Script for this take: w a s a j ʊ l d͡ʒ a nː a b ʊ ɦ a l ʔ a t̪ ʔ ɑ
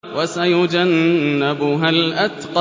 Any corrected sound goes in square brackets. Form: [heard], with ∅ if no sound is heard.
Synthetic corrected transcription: w a s a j ʊ [∅] d͡ʒ a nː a b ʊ ɦ a l ʔ a t̪ [q] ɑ